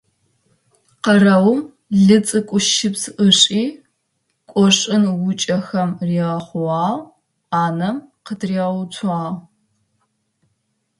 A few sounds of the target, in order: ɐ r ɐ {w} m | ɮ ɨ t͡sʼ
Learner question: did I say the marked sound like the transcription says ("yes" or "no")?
yes